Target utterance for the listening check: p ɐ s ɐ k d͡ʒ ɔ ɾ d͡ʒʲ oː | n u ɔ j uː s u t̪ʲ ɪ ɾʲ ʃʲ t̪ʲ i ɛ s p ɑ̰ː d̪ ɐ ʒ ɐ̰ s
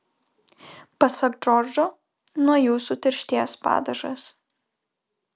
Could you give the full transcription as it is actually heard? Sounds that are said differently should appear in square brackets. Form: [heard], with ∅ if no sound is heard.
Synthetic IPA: p ɐ s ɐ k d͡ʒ ɔ ɾ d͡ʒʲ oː | n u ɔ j uː s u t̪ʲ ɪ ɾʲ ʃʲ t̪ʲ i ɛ s p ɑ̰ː d̪ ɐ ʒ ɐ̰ s